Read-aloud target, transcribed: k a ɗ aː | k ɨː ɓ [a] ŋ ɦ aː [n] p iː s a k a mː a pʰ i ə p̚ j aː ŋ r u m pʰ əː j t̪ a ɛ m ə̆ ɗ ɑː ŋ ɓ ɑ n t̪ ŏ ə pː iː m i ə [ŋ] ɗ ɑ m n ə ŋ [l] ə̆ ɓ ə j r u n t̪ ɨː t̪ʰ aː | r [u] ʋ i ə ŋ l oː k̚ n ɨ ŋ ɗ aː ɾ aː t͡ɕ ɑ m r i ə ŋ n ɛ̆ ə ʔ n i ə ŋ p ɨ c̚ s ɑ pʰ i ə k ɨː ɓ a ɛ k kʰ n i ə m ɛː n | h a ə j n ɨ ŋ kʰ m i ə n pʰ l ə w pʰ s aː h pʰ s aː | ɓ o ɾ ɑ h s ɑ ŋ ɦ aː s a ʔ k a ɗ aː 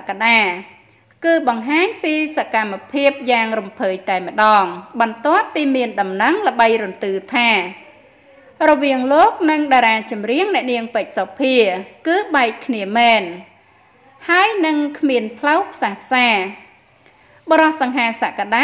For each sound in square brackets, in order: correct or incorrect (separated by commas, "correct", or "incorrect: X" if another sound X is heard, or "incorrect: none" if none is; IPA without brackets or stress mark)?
incorrect: ɑ, incorrect: ɲ, incorrect: n, correct, incorrect: ɔ